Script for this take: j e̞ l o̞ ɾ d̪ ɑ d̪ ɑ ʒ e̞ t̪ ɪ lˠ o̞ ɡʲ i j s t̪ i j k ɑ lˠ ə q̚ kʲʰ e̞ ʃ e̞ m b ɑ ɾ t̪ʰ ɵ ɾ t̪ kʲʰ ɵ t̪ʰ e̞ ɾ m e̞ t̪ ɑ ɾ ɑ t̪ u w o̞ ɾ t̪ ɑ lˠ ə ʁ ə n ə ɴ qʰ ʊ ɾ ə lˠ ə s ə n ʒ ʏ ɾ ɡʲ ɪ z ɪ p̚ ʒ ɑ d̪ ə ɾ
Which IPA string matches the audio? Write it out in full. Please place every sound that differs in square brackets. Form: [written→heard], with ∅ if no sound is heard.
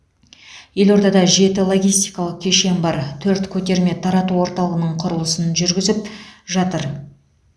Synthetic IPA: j e̞ l o̞ ɾ d̪ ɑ d̪ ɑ ʒ e̞ t̪ ɪ lˠ o̞ ɡʲ i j s t̪ i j k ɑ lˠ ə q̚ kʲʰ e̞ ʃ e̞ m b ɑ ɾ t̪ʰ ɵ ɾ t̪ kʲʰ ɵ [t̪ʰ→t̪] e̞ ɾ m e̞ [t̪→t̪ʰ] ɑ ɾ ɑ t̪ u w o̞ ɾ t̪ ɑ lˠ ə ʁ ə n ə ɴ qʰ ʊ ɾ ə lˠ ə s ə n ʒ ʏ ɾ ɡʲ ɪ z ɪ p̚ ʒ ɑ [d̪→t̪] ə ɾ